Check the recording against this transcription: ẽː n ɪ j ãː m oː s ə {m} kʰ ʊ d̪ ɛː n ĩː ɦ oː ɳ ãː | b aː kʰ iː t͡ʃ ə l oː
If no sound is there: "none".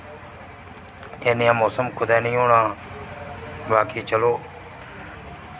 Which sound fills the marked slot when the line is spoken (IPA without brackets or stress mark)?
m